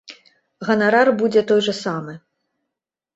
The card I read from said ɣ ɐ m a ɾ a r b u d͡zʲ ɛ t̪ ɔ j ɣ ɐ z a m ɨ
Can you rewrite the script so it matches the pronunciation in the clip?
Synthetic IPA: ɣ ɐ n a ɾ a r b u d͡zʲ ɛ t̪ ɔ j ʐ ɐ s a m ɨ

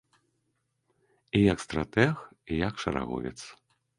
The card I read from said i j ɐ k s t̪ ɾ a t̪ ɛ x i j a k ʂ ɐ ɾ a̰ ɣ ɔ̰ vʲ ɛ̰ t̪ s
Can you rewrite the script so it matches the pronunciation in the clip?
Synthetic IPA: i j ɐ k s t̪ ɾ a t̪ ɛ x i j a k ʂ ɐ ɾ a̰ ɣ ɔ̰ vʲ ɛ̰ t̪ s

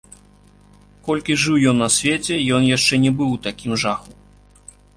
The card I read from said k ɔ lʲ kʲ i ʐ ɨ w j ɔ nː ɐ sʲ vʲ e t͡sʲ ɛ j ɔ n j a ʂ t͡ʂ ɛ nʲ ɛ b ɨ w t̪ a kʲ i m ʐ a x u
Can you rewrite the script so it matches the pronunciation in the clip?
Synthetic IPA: k ɔ lʲ kʲ i ʐ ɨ w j ɔ nː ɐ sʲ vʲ e t͡sʲ ɛ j ɔ n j a ʂ t͡ʂ ɛ nʲ ɛ b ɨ w t̪ a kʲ i m ʐ a x u

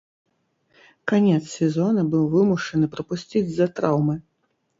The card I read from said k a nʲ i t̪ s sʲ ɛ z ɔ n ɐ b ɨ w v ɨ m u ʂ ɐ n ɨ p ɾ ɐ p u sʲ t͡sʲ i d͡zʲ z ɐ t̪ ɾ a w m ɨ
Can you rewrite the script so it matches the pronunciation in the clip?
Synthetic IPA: k a nʲ ɛ t̪ s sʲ ɛ z ɔ n ɐ b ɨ w v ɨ m u ʂ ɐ n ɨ p ɾ ɐ p u sʲ t͡sʲ i d͡zʲ z ɐ t̪ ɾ a w m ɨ

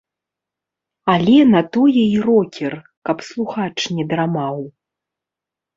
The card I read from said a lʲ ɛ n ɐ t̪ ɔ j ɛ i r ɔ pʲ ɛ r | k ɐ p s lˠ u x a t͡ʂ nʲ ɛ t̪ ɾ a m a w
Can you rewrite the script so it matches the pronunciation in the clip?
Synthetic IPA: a lʲ ɛ n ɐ t̪ ɔ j ɛ i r ɔ kʲ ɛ r | k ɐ p s lˠ u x a t͡ʂ nʲ ɛ d̪ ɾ a m a w

